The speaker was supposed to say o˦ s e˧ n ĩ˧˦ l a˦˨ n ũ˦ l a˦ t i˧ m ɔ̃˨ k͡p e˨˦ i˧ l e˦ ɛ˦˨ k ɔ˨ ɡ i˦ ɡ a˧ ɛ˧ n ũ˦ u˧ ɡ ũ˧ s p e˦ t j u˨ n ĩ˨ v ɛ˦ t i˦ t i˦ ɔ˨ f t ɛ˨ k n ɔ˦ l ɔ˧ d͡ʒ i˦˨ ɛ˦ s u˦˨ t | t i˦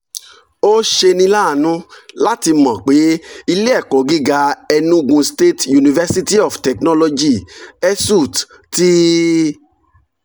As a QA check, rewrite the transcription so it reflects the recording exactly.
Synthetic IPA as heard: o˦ ʃ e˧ n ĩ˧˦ l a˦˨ n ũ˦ l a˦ t i˧ m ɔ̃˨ k͡p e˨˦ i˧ l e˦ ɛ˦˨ k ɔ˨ ɡ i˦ ɡ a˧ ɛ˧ n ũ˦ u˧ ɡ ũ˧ s t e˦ t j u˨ n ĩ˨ v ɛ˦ s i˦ t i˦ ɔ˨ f t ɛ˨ k n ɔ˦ l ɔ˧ d͡ʒ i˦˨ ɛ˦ s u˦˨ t | t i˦